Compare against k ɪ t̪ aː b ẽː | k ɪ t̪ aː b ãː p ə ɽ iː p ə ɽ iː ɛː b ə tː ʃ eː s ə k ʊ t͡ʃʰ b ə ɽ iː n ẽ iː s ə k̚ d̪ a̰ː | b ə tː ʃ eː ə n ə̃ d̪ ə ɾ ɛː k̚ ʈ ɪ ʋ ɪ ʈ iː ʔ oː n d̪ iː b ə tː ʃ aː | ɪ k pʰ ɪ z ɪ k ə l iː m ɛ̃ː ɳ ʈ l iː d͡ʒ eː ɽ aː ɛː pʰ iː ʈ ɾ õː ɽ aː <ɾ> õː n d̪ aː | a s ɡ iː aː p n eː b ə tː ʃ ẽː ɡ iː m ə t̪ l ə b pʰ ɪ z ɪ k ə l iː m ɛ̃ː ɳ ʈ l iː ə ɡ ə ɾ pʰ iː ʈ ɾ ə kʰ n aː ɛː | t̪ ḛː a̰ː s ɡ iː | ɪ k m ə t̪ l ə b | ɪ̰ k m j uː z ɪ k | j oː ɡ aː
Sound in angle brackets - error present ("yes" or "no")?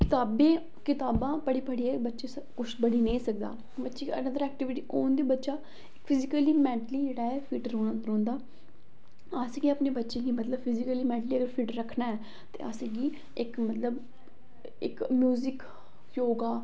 no